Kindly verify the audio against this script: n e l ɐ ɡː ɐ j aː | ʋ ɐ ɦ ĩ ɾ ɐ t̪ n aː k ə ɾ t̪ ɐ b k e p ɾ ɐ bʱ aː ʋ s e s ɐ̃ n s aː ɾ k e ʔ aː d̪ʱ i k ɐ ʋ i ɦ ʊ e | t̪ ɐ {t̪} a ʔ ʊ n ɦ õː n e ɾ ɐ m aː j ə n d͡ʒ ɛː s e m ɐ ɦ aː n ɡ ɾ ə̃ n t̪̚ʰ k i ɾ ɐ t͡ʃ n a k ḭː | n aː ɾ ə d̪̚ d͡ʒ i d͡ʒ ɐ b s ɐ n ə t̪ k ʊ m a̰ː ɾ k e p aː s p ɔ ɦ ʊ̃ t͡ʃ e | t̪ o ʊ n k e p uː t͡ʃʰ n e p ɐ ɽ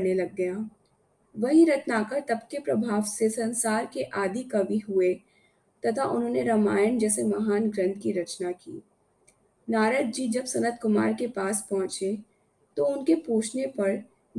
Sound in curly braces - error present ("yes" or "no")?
yes